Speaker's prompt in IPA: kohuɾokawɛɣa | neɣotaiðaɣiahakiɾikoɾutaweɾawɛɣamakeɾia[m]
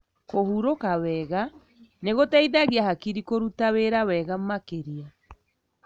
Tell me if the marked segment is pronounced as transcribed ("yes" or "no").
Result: no